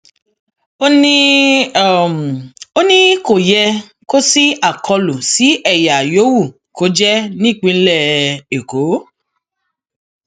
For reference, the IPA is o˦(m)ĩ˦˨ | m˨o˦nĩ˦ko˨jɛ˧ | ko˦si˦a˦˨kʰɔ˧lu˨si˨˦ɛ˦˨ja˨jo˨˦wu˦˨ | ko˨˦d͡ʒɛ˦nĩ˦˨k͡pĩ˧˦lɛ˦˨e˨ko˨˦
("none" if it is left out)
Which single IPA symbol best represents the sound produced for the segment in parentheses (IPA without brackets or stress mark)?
n